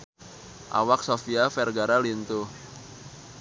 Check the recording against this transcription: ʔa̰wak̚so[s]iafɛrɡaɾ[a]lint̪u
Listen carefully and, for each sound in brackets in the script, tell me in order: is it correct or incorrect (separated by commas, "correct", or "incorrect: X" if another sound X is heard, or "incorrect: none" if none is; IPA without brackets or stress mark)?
incorrect: f, correct